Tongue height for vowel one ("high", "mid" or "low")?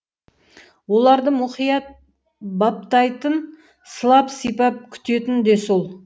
mid